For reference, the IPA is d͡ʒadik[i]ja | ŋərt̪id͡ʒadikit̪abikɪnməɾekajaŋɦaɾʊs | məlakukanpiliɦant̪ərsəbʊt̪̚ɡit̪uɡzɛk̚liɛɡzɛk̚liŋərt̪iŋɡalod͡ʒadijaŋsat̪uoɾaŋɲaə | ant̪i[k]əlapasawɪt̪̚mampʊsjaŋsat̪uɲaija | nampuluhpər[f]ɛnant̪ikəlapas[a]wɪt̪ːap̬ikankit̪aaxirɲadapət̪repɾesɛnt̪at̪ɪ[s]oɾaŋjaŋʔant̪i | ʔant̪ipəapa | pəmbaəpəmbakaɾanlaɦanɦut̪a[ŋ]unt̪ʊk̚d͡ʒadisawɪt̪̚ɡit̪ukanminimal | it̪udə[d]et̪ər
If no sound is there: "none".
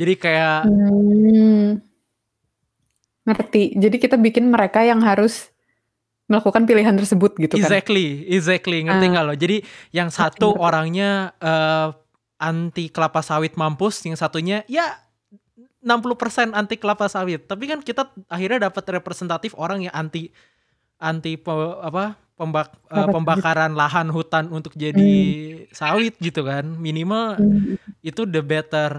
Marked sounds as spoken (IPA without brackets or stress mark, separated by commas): a, k, s, a, f, n, b